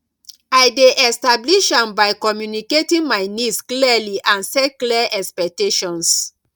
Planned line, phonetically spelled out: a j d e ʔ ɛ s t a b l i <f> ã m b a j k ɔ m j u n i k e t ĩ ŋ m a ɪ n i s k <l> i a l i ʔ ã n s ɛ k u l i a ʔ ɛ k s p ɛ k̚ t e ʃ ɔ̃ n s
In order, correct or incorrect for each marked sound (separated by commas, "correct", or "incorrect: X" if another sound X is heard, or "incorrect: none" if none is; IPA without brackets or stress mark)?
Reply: incorrect: ʃ, correct